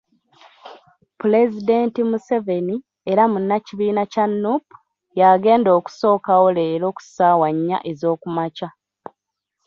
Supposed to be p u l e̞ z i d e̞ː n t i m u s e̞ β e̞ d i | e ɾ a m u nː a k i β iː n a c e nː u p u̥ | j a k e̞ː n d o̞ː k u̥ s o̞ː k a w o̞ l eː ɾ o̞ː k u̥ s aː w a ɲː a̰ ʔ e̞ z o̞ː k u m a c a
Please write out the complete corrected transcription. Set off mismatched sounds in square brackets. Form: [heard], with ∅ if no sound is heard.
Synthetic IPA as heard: p u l e̞ z i d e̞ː n t i m u s e̞ [v] e̞ [n] i | e ɾ a m u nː a [c] i β iː n a c [a] nː u p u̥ | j a [ɡ] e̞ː n d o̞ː k u̥ s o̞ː k a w o̞ l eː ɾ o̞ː k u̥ s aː w a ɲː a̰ ʔ e̞ z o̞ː k u m a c a